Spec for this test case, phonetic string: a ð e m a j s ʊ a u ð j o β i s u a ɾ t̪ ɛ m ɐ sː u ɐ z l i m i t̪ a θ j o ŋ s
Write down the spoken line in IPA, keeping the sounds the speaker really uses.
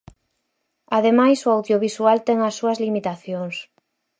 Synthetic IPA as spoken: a ð e m a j s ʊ a w ð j o β i s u a l t̪ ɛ ŋ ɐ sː u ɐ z l i m i t̪ a θ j o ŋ s